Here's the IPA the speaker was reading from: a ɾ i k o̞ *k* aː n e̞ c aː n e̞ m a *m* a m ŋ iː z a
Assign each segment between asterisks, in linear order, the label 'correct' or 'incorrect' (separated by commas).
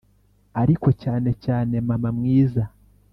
incorrect, correct